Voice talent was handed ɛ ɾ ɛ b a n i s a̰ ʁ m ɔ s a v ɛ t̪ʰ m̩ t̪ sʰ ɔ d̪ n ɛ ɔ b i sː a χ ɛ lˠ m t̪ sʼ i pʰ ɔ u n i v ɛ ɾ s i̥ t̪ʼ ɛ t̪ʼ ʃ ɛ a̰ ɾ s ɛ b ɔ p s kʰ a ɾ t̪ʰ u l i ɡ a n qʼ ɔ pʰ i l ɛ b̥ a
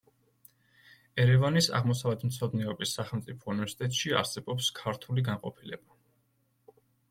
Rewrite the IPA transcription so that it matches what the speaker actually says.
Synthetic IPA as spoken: ɛ ɾ ɛ v a n i s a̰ ʁ m ɔ s a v ɛ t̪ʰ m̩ t̪ sʰ ɔ d̪ n ɛ ɔ b i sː a χ ɛ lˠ m t̪ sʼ i pʰ ɔ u n i v ɛ ɾ s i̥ t̪ʼ ɛ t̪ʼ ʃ i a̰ ɾ s ɛ b ɔ p s kʰ a ɾ t̪ʰ u l i ɡ a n qʼ ɔ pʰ i l ɛ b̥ a